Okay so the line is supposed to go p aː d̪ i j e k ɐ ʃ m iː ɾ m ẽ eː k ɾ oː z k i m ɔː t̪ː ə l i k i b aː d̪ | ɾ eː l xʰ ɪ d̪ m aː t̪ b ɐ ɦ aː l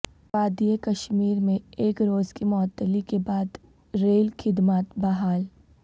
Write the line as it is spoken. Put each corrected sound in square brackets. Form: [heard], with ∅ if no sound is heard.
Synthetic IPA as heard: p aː d̪ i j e k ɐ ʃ m iː ɾ m ẽ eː k ɾ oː z k i m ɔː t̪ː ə l i k [e] b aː d̪ | ɾ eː l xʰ ɪ d̪ m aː t̪ b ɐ ɦ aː l